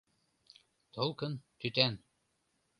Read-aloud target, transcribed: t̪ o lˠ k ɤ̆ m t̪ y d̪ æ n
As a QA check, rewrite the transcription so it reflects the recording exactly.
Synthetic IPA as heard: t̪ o lˠ k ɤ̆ n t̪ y t̪ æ n